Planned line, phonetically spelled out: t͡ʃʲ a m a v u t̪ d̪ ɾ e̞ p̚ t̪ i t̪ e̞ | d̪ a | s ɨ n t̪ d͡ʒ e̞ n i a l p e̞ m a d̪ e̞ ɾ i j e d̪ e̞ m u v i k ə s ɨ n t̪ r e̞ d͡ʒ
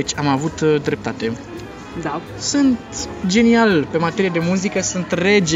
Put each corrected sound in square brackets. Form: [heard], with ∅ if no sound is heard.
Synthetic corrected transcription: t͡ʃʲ a m a v u t̪ d̪ ɾ e̞ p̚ t̪ [a] t̪ e̞ | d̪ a | s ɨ n t̪ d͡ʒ e̞ n i a l p e̞ m a [t̪] e̞ ɾ i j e d̪ e̞ m u [z] i k ə s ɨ n t̪ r e̞ d͡ʒ